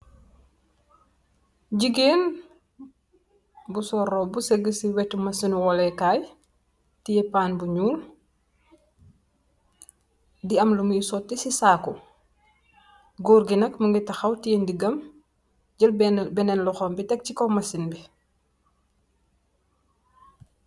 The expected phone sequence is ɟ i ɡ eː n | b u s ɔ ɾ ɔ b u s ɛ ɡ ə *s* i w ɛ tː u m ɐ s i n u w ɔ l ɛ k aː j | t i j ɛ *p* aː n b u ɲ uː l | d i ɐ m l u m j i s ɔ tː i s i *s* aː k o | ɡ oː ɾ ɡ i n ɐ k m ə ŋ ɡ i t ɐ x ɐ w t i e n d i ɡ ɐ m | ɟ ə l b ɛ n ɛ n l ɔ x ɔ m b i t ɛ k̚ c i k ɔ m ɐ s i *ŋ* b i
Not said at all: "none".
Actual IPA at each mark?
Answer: s, p, s, n

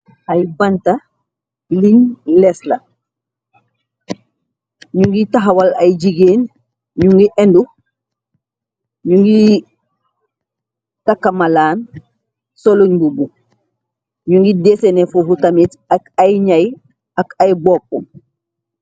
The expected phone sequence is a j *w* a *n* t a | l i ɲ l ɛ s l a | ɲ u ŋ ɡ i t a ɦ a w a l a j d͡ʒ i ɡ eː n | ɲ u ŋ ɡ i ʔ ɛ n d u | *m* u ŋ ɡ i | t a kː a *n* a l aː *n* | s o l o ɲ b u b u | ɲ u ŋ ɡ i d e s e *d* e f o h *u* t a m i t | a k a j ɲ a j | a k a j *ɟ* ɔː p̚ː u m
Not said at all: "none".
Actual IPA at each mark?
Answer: b, n, ɲ, m, n, n, u, b

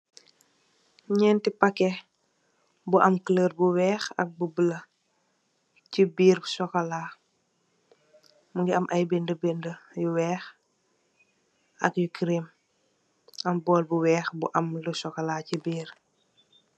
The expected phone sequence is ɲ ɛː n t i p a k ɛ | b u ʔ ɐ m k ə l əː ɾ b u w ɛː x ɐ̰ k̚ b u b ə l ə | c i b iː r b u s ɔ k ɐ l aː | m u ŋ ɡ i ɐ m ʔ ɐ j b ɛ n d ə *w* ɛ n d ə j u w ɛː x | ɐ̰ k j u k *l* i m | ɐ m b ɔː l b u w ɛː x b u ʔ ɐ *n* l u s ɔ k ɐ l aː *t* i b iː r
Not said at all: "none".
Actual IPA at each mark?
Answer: b, ɾ, m, c

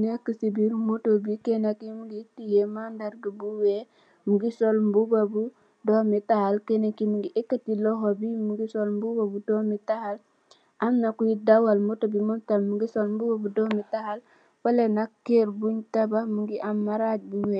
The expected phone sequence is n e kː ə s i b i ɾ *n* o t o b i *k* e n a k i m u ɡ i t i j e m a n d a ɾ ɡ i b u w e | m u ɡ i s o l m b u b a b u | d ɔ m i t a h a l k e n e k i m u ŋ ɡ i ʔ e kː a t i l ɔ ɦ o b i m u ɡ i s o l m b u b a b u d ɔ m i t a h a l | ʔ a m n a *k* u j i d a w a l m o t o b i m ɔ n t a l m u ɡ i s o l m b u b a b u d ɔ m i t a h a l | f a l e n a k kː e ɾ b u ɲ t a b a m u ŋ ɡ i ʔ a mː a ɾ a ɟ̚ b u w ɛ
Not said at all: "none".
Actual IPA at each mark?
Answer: m, k, k

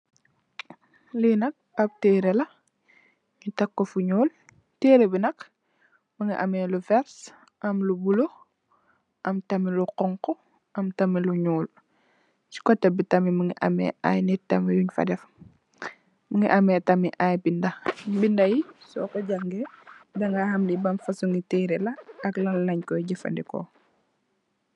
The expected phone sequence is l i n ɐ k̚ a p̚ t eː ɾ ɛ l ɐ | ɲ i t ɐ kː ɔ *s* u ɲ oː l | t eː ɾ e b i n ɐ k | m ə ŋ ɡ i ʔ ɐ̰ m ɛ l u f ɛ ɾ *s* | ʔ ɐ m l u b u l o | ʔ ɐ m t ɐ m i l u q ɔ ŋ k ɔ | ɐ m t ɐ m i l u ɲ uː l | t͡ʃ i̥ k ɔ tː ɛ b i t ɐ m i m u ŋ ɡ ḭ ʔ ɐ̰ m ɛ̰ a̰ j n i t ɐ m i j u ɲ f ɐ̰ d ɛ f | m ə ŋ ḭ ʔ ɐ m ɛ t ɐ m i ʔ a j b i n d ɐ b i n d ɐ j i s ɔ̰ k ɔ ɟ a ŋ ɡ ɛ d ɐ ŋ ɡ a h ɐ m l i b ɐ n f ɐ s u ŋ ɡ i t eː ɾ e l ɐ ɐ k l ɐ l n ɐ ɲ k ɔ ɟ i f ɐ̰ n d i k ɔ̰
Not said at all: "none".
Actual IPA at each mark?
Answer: f, s

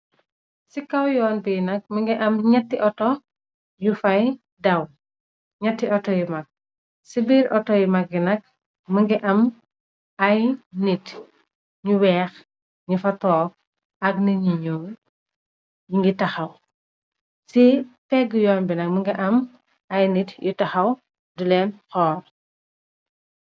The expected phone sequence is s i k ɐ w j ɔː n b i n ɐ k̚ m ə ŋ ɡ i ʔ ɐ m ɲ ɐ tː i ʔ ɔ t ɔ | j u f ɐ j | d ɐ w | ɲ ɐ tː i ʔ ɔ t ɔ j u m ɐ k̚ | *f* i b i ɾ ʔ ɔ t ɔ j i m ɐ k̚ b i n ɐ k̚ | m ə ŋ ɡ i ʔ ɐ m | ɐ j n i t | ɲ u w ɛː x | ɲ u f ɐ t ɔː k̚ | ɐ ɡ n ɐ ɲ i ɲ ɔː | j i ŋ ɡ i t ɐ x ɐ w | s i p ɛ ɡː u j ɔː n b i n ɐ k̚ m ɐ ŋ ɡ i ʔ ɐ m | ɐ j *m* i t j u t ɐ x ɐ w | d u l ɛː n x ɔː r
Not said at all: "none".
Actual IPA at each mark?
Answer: s, n

